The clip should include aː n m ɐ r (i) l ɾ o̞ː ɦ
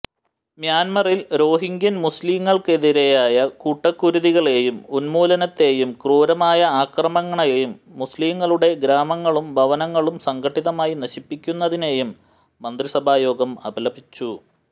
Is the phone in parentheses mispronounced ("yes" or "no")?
no